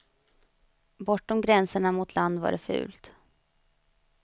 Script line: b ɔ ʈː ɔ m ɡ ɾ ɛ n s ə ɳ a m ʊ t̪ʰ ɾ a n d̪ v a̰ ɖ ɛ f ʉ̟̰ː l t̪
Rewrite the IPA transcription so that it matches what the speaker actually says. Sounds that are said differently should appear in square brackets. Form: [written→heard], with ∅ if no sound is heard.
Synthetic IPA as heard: b ɔ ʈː ɔ m ɡ ɾ ɛ n s ə ɳ a m ʊ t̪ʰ [ɾ→l] a n d̪ v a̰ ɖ ɛ f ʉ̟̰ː l t̪